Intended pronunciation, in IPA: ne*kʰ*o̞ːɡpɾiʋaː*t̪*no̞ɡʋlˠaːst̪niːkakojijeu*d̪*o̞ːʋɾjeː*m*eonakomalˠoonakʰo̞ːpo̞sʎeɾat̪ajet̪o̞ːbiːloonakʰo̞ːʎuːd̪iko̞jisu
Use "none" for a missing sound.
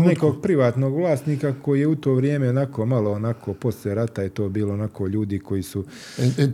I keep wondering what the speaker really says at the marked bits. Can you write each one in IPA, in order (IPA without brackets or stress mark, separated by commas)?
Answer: k, t̪, t̪, m